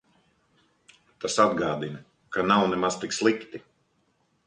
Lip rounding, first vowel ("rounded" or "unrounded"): unrounded